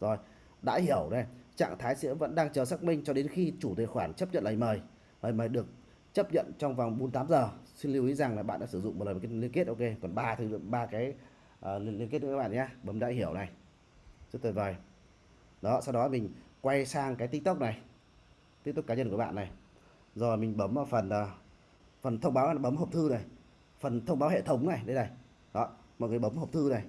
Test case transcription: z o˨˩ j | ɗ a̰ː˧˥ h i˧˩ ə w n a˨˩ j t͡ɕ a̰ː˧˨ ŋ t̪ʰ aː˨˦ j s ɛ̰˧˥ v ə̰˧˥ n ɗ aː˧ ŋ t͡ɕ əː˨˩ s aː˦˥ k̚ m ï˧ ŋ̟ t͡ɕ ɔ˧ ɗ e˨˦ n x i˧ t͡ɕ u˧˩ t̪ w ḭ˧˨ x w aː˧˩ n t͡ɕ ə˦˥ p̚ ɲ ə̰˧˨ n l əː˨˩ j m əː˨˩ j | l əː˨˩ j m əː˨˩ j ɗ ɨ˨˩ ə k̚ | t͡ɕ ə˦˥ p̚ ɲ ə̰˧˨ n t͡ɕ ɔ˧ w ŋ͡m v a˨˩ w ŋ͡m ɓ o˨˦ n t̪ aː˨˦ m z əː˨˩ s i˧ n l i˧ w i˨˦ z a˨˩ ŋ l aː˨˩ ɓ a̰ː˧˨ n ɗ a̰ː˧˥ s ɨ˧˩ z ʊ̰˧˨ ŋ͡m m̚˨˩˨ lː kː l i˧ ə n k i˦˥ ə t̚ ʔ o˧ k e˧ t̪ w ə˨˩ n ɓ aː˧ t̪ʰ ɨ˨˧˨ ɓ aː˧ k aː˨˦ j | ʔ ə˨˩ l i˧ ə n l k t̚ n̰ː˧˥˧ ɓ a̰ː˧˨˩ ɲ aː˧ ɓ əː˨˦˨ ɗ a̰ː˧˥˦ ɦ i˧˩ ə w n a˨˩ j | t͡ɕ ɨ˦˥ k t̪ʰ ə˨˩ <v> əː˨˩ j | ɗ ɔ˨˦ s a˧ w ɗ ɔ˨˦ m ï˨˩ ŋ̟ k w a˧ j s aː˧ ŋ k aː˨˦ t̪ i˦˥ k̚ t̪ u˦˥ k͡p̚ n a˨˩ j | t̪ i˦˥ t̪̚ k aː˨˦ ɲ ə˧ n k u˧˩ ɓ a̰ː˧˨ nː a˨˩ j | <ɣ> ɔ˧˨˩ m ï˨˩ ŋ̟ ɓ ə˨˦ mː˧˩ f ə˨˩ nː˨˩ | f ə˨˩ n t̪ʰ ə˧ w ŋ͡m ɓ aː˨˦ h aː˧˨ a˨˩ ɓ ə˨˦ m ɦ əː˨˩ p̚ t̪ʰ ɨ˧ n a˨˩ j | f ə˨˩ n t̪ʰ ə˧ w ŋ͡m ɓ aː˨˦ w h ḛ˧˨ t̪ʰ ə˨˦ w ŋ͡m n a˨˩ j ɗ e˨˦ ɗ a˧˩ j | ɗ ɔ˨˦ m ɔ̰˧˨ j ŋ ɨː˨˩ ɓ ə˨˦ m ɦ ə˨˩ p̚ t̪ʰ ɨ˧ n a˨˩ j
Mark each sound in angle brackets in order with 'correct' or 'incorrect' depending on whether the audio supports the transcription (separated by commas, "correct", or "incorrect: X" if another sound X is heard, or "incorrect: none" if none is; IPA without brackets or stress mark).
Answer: correct, incorrect: z